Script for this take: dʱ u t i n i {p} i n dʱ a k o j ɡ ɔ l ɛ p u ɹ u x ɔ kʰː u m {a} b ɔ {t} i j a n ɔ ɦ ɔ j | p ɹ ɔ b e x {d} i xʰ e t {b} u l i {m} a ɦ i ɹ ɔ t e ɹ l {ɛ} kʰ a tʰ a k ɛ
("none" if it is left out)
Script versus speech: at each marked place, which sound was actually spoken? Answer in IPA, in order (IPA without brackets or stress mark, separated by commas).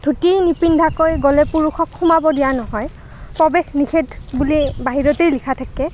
p, a, d, n, b, b, i